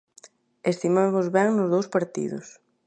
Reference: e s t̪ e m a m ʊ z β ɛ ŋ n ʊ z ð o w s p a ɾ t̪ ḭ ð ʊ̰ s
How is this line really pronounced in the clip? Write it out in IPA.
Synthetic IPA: e s t̪ i m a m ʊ z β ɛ ŋ n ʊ z ð o w s p a ɾ t̪ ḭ ð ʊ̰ s